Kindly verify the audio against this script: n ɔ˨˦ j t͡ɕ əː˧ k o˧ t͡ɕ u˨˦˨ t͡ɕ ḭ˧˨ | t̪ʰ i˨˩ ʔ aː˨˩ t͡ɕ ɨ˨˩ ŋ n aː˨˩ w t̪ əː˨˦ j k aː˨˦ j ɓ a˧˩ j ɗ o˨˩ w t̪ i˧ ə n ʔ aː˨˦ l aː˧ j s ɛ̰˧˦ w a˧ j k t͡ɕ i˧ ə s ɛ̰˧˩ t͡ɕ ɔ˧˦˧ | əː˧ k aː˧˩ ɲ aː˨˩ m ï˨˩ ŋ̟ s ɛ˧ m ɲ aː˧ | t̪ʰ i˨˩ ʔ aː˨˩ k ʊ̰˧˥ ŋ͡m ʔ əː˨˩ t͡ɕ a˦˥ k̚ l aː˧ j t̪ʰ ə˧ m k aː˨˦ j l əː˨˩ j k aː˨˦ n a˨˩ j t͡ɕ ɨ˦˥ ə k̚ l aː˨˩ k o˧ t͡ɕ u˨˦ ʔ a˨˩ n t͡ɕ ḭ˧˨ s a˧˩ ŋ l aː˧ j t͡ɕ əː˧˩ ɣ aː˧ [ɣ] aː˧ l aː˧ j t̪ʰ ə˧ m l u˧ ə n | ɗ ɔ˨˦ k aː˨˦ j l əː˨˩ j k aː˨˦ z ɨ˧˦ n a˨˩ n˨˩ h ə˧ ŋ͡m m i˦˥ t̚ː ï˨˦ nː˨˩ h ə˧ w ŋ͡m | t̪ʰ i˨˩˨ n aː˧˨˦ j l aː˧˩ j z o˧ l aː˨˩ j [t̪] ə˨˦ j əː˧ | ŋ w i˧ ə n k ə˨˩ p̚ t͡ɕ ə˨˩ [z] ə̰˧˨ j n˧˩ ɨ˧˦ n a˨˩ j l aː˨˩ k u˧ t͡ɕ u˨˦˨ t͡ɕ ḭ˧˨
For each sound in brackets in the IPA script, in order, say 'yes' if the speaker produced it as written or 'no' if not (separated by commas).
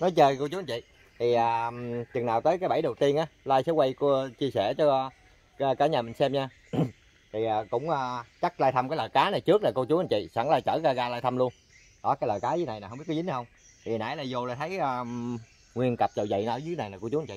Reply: yes, no, yes